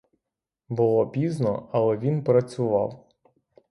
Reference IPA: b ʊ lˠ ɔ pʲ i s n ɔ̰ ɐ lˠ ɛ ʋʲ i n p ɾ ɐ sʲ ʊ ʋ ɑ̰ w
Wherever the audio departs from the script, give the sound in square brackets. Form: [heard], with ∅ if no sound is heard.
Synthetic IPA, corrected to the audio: b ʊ lˠ ɔ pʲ i [z] n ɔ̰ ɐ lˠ ɛ ʋʲ i n p ɾ ɐ [t͡sʲ] ʊ ʋ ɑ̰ w